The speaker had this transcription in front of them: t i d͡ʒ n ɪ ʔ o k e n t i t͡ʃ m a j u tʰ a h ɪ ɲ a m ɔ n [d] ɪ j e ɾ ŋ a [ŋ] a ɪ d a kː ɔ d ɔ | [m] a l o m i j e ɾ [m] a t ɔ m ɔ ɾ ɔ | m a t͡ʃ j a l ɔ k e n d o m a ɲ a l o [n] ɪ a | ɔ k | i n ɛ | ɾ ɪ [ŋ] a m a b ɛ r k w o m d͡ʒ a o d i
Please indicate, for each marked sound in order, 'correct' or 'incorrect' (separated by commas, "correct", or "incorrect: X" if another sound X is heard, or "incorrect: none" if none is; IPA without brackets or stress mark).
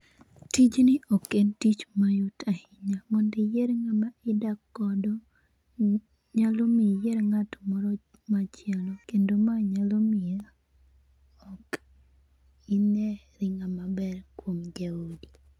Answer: correct, incorrect: m, incorrect: ɲ, incorrect: ŋ, incorrect: m, correct